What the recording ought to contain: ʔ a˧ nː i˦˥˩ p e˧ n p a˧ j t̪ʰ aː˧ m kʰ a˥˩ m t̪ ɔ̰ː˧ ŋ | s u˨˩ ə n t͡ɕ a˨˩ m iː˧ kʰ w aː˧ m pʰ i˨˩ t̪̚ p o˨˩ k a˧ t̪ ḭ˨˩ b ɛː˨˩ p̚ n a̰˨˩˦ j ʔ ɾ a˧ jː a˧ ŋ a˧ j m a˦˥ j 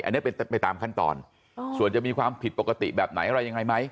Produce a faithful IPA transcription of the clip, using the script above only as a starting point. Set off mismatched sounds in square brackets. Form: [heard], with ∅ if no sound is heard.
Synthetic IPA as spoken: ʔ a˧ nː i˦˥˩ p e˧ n p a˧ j [t̪] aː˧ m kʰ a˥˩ [n] t̪ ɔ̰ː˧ [n] | s u˨˩ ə n t͡ɕ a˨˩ m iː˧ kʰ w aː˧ m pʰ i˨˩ t̪̚ p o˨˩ k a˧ t̪ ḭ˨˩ b ɛː˨˩ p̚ n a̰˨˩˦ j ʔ ɾ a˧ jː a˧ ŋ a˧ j m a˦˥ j